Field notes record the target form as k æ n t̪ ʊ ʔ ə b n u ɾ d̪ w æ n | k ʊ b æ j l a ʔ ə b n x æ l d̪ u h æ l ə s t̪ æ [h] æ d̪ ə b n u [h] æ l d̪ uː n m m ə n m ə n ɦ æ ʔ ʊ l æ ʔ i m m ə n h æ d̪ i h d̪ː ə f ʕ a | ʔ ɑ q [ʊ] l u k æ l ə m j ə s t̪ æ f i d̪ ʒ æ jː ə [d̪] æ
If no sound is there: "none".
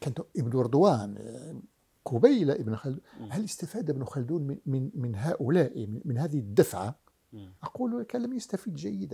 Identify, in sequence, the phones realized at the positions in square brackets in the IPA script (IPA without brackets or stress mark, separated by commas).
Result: f, x, u, d̪